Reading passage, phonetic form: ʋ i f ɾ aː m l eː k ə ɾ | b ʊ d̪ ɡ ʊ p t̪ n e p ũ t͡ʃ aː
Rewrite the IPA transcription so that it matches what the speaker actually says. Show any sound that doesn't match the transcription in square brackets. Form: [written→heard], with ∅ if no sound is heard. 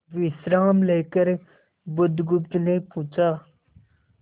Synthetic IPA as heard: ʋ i [f→s] ɾ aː m l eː k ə ɾ | b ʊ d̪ ɡ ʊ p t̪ n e p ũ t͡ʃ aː